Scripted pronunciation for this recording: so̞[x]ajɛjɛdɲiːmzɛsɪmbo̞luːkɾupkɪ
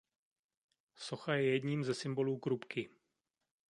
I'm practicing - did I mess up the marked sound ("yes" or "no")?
no